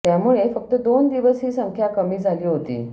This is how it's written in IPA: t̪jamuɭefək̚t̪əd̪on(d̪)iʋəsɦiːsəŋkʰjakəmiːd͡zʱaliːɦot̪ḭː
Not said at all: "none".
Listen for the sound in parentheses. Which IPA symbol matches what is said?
d̪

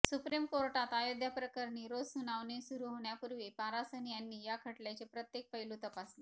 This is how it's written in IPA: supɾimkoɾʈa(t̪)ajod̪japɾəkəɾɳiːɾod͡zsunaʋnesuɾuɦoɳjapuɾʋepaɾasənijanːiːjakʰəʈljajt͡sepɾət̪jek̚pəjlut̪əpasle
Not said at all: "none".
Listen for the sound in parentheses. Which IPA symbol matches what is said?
t̪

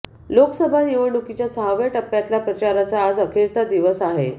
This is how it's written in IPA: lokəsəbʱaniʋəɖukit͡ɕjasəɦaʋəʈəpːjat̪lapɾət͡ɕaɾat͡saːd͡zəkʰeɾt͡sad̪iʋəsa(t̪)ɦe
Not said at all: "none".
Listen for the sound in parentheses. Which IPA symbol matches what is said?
none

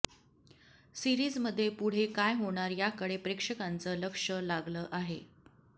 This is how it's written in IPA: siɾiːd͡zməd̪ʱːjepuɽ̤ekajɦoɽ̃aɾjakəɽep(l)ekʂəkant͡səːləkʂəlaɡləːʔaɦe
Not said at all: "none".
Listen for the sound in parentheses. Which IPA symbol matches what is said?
ɾ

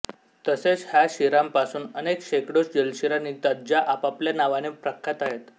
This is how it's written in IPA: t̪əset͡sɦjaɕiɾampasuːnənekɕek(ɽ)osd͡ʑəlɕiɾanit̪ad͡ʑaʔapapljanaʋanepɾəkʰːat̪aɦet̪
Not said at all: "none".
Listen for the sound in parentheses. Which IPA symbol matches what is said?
ɽ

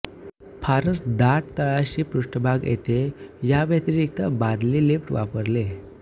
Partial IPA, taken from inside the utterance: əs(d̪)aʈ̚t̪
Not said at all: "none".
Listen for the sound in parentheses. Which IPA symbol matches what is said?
d̪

